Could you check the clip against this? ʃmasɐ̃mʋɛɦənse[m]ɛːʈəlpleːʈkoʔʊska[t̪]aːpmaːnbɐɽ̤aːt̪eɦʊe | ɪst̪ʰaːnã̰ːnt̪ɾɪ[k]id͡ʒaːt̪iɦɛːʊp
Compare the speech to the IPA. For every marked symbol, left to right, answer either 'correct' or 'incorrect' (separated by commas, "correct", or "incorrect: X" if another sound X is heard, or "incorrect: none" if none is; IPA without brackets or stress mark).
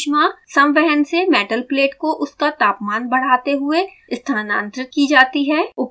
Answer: correct, correct, correct